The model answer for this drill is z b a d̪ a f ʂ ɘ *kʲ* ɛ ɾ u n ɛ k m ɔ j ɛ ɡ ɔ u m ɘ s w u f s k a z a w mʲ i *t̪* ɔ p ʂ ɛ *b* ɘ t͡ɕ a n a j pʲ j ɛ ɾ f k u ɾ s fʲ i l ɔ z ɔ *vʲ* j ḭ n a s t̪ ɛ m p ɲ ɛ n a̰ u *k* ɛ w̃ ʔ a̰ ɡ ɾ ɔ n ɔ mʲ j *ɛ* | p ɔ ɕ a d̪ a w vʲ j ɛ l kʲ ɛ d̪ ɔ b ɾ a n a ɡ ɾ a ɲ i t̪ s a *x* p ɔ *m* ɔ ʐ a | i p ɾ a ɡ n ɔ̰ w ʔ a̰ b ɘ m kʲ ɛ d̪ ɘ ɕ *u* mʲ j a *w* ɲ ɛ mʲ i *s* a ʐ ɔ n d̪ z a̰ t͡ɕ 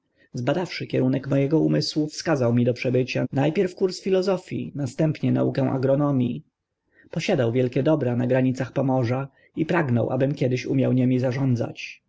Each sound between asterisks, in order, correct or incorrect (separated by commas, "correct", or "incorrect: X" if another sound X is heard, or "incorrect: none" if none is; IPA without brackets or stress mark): correct, incorrect: d̪, correct, incorrect: fʲ, correct, incorrect: i, correct, correct, correct, correct, incorrect: z